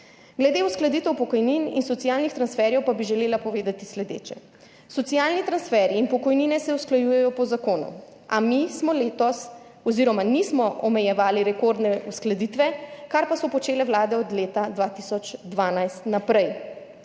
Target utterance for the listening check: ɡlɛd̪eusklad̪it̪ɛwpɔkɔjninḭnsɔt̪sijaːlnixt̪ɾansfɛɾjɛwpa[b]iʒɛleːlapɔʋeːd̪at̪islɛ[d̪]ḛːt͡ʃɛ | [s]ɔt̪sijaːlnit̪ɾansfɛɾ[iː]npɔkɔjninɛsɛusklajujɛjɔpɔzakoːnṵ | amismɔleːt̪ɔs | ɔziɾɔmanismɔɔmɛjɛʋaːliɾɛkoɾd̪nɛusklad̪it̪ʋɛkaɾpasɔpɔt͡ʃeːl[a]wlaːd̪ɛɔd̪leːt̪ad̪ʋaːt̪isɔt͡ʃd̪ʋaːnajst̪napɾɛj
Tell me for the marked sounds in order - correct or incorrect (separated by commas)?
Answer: correct, correct, correct, correct, incorrect